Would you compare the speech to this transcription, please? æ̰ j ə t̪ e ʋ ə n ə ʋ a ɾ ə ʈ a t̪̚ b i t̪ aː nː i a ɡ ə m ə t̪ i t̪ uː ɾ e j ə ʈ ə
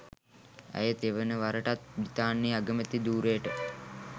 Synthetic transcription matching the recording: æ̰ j ə t̪ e ʋ ə n ə ʋ a ɾ ə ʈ a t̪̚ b i t̪ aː nː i a ɡ ə m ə t̪ i d̪ uː ɾ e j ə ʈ ə